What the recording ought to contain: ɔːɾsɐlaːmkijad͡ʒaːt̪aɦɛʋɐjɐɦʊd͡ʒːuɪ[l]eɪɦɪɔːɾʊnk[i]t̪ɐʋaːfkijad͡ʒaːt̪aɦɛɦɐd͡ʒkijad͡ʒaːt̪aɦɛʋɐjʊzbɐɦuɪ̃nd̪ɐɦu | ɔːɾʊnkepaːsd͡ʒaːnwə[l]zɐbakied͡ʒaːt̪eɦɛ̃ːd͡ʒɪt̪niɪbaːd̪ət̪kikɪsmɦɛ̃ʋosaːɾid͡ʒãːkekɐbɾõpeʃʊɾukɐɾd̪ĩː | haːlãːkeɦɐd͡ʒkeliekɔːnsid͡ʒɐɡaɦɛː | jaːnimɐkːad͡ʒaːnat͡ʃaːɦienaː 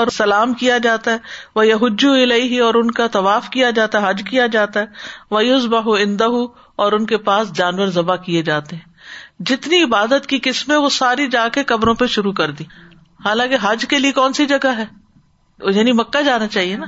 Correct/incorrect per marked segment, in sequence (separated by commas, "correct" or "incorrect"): correct, incorrect, incorrect